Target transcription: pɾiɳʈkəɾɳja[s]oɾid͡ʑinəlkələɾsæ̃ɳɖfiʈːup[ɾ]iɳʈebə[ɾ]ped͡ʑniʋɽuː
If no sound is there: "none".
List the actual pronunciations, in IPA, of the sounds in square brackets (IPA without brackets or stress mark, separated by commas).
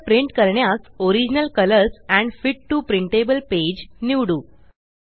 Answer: s, ɾ, l